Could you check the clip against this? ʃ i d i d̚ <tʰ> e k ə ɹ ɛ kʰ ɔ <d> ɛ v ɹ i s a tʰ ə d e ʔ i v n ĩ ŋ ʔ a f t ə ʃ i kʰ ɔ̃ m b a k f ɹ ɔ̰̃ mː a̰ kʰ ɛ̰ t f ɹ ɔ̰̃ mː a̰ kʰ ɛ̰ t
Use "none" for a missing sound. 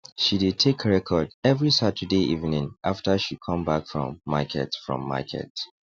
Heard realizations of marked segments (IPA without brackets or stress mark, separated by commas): tʰ, d